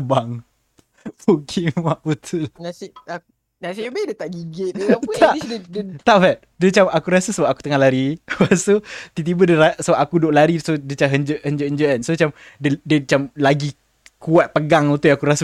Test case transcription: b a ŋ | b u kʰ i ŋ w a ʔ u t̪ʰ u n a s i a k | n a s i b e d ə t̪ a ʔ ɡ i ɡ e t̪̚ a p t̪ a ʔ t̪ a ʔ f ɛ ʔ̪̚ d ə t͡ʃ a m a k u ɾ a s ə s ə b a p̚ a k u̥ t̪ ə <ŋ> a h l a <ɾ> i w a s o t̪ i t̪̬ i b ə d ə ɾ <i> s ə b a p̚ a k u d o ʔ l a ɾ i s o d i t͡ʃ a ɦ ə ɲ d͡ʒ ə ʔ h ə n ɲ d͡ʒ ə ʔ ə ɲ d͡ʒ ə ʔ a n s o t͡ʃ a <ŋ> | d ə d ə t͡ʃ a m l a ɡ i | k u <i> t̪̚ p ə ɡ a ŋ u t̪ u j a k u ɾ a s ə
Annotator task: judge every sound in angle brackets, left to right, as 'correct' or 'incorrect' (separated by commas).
correct, correct, incorrect, incorrect, incorrect